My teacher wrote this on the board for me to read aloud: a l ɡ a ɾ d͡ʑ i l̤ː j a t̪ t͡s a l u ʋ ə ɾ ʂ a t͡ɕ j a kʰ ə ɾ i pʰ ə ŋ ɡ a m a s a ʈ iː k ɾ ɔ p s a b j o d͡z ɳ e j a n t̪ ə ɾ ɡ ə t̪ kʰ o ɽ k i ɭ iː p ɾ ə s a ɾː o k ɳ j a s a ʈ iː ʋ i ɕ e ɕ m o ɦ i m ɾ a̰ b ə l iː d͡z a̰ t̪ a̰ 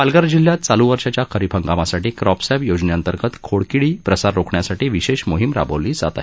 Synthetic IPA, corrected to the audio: a l ɡ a ɾ d͡ʑ i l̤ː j a t̪ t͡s a l u ʋ ə ɾ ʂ a t͡ɕ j a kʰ ə ɾ i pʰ ə ŋ ɡ a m a s a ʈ iː k ɾ ɔ p s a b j o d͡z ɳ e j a n t̪ ə ɾ ɡ ə t̪ kʰ o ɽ k i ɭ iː p ɾ ə s a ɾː o k ɳ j a s a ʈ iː ʋ i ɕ e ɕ m o ɦ i m ɾ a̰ b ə l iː d͡z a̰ t̪ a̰